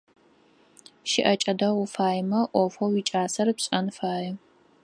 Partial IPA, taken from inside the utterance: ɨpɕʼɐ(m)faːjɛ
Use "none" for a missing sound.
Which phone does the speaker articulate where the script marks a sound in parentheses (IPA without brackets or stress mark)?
n